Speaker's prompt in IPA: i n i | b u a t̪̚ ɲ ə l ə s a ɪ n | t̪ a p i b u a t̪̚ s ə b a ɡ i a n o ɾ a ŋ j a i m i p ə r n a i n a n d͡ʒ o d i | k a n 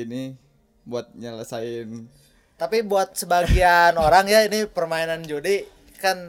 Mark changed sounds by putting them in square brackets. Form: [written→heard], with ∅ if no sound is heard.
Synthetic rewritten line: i n i | b u a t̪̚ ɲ ə l ə s a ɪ n | t̪ a p i b u a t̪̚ s ə b a ɡ i a n o ɾ a ŋ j a i [m→n] i p ə r [n→m] a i n a n d͡ʒ o d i | k a n